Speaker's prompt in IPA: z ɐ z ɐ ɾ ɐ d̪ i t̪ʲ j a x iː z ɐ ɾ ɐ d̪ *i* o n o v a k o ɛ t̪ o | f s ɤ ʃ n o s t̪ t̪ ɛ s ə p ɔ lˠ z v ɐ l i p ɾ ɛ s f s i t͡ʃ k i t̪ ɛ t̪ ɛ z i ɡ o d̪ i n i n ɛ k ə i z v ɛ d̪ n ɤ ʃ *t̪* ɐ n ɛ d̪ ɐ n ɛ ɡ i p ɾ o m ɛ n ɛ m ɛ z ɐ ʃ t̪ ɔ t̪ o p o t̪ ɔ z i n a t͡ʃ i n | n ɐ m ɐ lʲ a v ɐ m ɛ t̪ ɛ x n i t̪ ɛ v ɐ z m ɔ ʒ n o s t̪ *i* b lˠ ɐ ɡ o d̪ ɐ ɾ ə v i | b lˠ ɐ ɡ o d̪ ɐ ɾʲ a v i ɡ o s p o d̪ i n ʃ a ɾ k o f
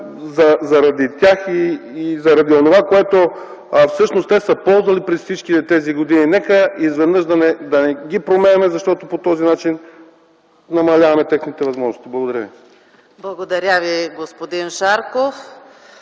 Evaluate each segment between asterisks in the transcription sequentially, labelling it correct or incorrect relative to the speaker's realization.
correct, incorrect: d̪, correct

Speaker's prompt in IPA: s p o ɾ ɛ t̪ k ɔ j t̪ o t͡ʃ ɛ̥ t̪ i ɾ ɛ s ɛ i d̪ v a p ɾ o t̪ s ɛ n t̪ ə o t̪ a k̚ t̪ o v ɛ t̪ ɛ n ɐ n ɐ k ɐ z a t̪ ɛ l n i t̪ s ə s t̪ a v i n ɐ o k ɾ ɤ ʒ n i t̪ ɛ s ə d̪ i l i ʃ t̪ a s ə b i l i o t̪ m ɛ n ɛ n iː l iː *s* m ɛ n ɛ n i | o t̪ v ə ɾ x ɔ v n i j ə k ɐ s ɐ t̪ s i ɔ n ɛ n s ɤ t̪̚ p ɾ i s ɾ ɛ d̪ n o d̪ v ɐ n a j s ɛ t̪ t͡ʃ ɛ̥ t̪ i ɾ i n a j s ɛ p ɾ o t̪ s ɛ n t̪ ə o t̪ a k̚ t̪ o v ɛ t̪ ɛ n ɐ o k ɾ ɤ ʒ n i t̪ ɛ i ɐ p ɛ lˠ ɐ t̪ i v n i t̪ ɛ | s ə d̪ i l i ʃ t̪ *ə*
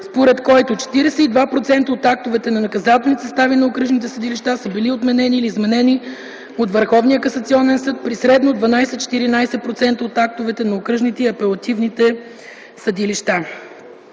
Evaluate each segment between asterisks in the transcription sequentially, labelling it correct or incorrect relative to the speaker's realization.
incorrect: z, incorrect: a

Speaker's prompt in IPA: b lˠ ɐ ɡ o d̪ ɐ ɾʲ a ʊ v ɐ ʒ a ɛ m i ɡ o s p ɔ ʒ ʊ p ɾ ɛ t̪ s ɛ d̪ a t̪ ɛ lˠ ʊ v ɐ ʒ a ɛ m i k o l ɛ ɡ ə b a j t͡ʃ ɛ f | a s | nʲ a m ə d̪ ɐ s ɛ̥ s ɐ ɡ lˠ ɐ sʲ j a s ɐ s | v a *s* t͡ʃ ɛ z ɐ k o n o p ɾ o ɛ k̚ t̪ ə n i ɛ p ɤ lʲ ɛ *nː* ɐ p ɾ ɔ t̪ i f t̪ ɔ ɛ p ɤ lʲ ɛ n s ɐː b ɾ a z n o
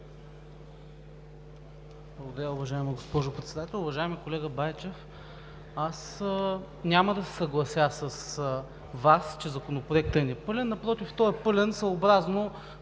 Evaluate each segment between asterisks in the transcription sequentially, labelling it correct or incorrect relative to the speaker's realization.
correct, correct

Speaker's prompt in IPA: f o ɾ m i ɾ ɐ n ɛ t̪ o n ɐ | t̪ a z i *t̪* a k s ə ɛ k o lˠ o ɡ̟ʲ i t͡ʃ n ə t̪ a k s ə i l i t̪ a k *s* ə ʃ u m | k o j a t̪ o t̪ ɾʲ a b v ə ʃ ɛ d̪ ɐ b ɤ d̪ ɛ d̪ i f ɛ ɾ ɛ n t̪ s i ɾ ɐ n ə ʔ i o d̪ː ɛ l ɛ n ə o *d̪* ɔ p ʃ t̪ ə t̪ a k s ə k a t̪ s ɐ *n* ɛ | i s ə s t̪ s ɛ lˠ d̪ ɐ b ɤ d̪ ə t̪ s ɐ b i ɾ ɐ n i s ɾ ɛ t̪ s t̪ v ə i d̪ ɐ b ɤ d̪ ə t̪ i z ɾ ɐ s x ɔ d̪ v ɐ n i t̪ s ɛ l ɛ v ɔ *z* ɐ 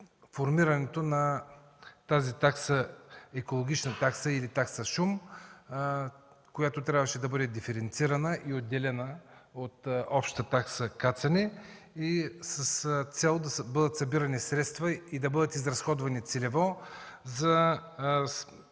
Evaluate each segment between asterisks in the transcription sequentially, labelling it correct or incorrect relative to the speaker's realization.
correct, correct, incorrect: t̪, correct, correct

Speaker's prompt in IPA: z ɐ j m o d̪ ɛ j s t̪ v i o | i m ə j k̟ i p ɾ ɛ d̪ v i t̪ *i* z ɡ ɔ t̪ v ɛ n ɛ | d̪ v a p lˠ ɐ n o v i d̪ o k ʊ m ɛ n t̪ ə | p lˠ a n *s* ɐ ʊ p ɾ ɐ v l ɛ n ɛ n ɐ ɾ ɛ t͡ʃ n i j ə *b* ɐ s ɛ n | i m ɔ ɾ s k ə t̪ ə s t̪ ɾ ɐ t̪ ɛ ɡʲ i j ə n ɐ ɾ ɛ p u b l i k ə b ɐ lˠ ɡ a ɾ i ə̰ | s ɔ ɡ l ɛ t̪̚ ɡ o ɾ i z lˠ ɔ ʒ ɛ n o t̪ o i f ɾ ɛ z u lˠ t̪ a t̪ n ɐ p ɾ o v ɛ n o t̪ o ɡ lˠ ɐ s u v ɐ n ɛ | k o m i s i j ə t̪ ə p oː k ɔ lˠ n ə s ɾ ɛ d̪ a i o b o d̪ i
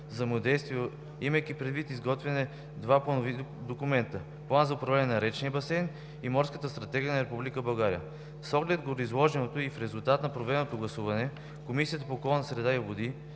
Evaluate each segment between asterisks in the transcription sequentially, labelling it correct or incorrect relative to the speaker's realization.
correct, incorrect: z, correct

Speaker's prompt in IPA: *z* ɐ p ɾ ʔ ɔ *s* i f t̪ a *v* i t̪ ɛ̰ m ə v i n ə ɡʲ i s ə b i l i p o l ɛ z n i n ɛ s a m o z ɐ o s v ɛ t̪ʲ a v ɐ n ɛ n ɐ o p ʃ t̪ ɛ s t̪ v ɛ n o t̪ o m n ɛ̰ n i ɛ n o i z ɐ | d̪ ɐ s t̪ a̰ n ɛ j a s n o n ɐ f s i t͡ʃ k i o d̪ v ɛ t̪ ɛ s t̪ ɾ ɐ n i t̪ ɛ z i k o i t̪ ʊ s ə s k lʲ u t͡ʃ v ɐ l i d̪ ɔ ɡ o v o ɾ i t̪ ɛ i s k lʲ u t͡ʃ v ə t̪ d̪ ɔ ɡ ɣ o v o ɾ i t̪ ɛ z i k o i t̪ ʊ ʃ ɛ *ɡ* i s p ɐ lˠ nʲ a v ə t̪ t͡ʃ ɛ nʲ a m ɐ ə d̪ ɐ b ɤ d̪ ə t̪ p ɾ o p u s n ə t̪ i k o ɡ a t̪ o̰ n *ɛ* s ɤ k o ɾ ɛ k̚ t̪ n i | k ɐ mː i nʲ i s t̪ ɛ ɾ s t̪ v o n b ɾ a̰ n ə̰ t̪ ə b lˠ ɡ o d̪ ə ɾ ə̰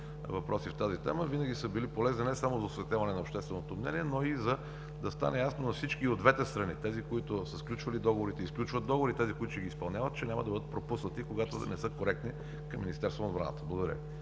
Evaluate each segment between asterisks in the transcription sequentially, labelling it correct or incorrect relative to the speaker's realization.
incorrect: v, correct, incorrect: z, correct, correct

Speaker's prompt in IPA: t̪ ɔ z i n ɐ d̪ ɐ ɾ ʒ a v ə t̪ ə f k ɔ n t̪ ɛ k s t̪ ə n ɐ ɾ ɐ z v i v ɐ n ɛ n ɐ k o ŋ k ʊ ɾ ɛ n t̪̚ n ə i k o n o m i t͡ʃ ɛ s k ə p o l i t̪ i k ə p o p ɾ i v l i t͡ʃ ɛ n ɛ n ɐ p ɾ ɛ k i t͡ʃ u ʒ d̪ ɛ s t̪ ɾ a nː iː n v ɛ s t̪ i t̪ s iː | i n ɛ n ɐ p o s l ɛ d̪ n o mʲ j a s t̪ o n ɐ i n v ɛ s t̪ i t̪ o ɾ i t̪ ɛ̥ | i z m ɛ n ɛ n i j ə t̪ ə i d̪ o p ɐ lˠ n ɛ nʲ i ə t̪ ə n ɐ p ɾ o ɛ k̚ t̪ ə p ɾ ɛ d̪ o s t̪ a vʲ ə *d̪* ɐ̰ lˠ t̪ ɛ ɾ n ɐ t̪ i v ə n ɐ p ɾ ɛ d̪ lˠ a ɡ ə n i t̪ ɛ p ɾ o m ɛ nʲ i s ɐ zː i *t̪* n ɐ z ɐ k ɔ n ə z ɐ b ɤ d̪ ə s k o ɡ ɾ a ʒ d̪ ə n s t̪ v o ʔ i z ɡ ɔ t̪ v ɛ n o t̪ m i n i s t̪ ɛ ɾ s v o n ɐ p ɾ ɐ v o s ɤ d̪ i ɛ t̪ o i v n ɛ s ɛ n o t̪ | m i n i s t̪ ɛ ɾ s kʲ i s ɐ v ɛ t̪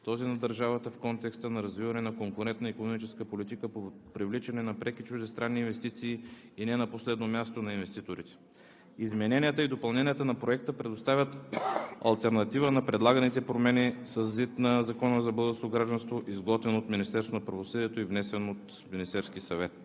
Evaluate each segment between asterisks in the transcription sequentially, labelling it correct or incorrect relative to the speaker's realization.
incorrect: t̪, correct

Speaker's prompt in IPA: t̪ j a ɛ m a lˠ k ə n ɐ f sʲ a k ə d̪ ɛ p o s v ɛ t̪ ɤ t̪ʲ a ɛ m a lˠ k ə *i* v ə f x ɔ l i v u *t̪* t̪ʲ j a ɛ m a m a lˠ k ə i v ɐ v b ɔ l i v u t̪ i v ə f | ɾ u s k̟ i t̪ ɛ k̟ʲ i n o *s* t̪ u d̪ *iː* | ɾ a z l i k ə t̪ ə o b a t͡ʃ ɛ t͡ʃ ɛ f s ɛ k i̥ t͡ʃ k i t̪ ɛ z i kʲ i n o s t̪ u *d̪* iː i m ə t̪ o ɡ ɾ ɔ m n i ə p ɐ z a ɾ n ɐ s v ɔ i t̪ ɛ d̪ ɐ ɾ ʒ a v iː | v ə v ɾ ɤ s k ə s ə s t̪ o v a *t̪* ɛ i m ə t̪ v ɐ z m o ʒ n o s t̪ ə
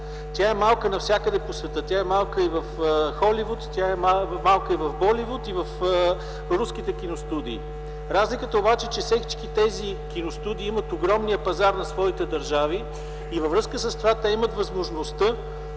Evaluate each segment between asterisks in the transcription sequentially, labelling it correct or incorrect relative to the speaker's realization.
correct, correct, correct, correct, correct, correct

